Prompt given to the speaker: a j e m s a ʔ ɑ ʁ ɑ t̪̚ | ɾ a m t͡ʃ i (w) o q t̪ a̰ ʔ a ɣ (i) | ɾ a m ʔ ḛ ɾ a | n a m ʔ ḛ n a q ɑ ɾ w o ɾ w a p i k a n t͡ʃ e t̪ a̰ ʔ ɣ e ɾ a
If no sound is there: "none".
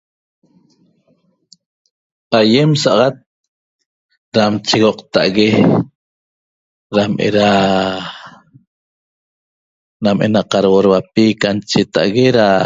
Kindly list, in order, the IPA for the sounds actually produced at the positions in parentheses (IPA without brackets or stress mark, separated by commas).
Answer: ɣ, e